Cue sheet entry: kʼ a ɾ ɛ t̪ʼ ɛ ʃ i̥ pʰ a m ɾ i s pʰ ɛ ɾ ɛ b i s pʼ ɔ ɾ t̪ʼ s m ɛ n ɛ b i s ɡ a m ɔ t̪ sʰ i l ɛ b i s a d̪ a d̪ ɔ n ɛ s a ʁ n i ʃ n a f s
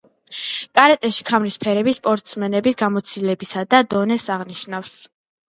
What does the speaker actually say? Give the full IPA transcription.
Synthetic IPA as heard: kʼ a ɾ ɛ t̪ʼ ɛ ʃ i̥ kʰ a m ɾ i s pʰ ɛ ɾ ɛ b i s pʼ ɔ ɾ t̪ʼ s m ɛ n ɛ b i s ɡ a m ɔ t̪ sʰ i l ɛ b i s a d̪ a d̪ ɔ n ɛ s a ʁ n i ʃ n a f s